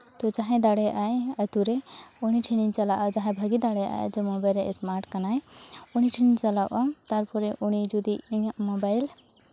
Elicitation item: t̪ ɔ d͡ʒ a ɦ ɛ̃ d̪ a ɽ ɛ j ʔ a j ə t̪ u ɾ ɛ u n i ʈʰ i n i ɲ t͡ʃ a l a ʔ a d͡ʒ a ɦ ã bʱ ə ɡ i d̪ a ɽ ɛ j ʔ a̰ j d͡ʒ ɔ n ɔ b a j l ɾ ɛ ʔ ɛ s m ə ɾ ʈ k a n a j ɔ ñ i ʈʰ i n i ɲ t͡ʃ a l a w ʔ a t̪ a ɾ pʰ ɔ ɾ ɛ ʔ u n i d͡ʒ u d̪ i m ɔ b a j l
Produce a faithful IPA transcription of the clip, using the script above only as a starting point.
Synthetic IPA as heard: t̪ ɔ d͡ʒ a ɦ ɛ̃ d̪ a ɽ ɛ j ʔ a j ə t̪ u ɾ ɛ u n i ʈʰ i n i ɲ t͡ʃ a l a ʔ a d͡ʒ a ɦ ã bʱ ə ɡ i d̪ a ɽ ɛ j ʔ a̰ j d͡ʒ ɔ m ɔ b a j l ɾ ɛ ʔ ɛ s m a ɾ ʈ k a n a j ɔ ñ i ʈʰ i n i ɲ t͡ʃ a l a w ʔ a t̪ a ɾ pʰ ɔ ɾ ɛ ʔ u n i d͡ʒ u d̪ i m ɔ b a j l